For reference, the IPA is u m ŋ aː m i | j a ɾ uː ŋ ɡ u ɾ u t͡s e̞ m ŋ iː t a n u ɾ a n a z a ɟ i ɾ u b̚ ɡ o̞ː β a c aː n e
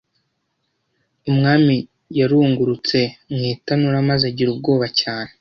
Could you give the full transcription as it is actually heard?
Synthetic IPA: u m ŋ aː m i | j a ɾ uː ŋ ɡ u ɾ u t͡s e̞ m ŋ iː t a n u ɾ a m a z a ɟ i ɾ u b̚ ɡ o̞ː β a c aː n e